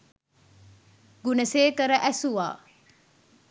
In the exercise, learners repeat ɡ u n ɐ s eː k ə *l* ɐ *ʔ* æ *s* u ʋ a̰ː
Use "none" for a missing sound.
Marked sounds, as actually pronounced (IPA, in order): ɾ, ʔ, s

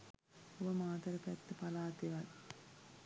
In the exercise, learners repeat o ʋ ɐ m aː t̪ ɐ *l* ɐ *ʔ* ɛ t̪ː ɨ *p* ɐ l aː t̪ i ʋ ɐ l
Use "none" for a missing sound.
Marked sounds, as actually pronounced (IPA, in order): ɾ, p, p

